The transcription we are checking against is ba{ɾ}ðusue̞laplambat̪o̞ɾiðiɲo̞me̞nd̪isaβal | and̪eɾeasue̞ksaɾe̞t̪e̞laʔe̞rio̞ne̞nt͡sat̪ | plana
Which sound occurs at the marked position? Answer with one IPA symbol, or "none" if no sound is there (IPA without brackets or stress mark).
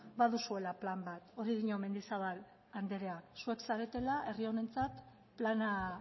none